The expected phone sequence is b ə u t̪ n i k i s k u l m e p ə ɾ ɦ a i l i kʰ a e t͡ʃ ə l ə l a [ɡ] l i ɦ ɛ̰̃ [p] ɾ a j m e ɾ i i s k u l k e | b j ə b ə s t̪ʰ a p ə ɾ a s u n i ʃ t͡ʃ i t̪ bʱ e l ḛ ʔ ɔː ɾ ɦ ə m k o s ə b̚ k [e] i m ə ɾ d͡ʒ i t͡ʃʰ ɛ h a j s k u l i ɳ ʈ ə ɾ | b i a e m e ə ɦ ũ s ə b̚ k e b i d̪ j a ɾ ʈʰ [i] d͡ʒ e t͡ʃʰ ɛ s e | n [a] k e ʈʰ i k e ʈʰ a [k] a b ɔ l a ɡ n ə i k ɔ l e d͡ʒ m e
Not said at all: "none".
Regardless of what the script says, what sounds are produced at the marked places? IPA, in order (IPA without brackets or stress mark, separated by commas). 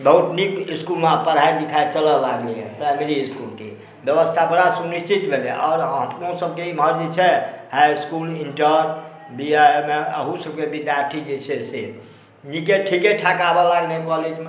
ɡ, p, e, i, i, k